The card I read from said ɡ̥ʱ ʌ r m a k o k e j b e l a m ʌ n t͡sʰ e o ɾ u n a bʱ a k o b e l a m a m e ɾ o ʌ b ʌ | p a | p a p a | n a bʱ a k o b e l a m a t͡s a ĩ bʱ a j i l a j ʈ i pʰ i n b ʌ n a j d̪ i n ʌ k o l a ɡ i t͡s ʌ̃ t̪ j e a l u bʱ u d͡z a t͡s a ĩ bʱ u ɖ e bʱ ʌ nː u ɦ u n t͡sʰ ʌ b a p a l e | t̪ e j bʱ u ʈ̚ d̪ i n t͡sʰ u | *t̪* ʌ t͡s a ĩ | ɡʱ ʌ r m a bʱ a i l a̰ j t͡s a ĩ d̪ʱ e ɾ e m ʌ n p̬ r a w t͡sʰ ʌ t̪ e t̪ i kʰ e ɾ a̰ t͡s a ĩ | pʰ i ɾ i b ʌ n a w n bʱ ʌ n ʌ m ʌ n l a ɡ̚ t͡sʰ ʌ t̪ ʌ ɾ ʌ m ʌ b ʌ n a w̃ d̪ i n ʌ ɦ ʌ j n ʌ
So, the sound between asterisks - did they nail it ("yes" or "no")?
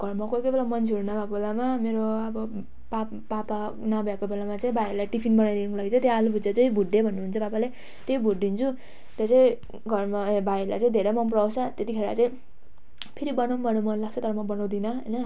yes